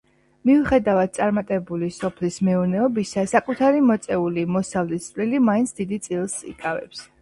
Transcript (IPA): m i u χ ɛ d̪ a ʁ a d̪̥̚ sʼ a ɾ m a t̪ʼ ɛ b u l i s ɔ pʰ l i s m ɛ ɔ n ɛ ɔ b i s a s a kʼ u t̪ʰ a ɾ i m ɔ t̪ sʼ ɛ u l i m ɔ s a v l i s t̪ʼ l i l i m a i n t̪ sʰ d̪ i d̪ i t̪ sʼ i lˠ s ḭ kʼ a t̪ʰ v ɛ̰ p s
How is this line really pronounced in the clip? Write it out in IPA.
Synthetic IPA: m i u χ ɛ d̪ a v a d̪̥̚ sʼ a ɾ m a t̪ʼ ɛ b u l i s ɔ pʰ l i s m ɛ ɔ n ɛ ɔ b i s a s a kʼ u t̪ʰ a ɾ i m ɔ t̪ sʼ ɛ u l i m ɔ s a v l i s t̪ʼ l i l i m a i n t̪ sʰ d̪ i d̪ i t̪ sʼ i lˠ s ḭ kʼ a v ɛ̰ p s